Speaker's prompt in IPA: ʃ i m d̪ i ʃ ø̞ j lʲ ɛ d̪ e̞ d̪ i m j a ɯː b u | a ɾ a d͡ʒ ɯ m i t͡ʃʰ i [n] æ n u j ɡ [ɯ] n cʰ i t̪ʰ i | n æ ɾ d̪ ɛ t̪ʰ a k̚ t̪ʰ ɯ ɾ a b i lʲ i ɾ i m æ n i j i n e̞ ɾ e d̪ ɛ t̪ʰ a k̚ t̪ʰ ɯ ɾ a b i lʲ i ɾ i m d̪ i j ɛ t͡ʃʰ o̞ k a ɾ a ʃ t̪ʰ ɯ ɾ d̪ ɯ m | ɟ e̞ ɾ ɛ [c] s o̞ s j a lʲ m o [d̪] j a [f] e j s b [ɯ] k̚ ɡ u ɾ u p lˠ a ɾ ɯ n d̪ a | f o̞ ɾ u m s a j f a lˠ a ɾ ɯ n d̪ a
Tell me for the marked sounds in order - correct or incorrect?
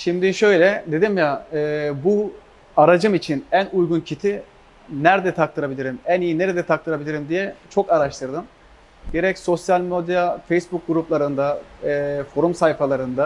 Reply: correct, incorrect, correct, correct, correct, incorrect

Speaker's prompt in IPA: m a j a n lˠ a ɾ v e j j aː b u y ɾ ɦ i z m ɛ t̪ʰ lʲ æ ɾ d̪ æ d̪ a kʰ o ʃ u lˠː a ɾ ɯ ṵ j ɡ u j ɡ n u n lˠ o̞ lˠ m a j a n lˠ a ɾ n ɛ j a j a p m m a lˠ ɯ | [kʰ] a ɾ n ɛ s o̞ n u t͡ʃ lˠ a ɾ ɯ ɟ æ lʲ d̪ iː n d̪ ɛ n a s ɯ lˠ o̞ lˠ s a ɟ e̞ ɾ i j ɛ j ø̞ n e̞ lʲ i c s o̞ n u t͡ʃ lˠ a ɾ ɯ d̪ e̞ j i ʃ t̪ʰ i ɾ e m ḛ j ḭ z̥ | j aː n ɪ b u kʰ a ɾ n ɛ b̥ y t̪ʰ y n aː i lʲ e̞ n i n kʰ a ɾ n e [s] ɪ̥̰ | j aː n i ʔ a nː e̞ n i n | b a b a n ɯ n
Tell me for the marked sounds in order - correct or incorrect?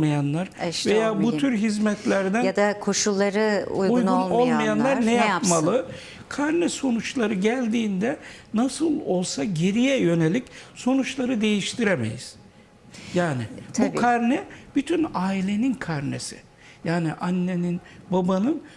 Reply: correct, correct

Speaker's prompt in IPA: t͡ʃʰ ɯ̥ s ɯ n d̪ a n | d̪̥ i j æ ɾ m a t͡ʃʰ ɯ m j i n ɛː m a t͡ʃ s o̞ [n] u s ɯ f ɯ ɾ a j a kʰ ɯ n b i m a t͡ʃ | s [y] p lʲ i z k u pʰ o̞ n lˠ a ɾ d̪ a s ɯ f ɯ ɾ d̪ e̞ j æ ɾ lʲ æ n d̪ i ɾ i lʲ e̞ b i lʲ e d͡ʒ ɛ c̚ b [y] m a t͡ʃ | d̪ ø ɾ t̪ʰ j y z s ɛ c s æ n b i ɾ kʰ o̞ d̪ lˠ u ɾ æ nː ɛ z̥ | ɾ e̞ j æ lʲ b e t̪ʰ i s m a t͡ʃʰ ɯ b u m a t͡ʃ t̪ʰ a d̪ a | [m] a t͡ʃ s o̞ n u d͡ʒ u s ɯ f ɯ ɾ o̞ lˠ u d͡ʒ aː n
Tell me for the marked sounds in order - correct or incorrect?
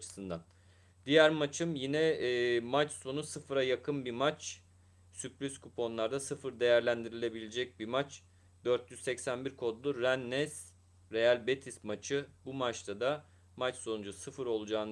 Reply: correct, correct, incorrect, correct

